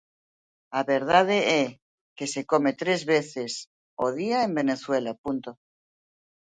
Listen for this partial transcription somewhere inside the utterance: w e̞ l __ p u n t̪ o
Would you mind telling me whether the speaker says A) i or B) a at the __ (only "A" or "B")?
B